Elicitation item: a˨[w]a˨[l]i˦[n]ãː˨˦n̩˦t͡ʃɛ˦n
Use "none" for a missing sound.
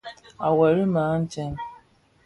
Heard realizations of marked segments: w, ɾ, m

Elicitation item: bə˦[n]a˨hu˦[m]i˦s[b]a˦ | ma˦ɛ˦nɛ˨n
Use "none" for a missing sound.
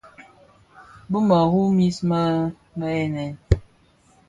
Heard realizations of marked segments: m, m, m

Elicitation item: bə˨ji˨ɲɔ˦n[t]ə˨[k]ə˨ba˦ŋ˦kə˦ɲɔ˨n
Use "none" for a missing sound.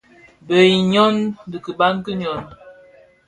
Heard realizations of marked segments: d, k

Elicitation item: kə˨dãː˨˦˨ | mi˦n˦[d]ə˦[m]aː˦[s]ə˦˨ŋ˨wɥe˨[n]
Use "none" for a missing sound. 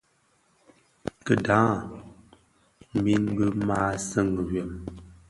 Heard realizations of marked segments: b, m, s, m

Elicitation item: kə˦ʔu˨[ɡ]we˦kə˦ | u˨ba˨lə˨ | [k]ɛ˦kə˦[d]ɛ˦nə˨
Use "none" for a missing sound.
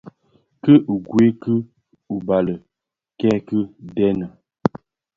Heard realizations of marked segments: ɡ, k, d

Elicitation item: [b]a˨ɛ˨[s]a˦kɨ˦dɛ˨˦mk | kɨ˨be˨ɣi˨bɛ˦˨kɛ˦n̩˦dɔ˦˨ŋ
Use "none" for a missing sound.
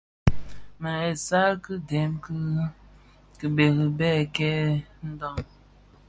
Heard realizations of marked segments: m, s

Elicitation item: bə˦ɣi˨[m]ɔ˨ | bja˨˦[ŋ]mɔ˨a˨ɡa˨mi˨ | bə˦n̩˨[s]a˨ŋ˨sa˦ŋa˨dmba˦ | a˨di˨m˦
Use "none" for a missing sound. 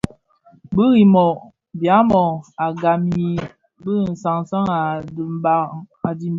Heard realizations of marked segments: m, none, s

